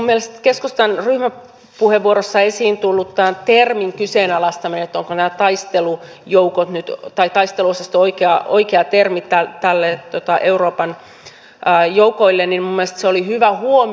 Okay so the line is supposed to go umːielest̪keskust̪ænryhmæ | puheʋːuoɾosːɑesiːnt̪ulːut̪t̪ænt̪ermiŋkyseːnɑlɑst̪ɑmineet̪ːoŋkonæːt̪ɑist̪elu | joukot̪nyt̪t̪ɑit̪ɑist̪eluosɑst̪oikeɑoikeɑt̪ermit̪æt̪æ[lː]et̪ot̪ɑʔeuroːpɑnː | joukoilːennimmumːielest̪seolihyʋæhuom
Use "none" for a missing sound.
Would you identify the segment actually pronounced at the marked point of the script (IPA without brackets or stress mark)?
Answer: lː